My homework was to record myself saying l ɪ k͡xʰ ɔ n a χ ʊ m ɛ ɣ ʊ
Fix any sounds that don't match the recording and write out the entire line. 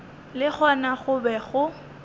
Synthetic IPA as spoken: l ɪ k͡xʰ ɔ n a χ ʊ b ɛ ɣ ʊ